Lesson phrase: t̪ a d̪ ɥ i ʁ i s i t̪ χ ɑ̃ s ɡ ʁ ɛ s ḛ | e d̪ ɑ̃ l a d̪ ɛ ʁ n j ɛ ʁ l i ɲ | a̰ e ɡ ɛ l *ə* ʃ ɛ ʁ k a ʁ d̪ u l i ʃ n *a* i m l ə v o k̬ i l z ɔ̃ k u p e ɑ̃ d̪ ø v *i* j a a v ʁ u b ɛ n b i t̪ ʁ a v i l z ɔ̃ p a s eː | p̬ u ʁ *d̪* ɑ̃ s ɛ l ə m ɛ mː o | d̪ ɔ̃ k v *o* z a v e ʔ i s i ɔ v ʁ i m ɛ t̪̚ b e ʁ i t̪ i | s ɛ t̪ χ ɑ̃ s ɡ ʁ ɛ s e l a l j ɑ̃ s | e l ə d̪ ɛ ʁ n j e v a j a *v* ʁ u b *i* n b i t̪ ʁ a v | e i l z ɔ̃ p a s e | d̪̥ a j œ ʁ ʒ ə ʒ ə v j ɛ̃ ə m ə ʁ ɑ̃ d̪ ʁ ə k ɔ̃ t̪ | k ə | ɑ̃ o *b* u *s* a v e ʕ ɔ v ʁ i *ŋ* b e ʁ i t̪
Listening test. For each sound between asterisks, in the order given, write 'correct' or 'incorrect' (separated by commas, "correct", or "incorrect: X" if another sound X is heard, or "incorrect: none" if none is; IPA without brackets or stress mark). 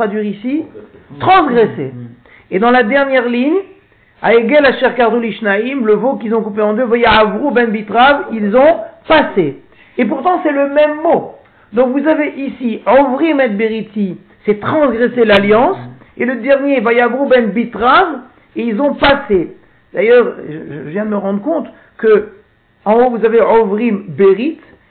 incorrect: a, correct, incorrect: a, incorrect: t̪, incorrect: u, correct, incorrect: ɛ, incorrect: v, incorrect: z, incorrect: m